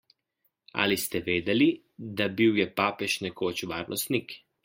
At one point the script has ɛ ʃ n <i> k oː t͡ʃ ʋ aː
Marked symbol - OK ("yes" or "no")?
no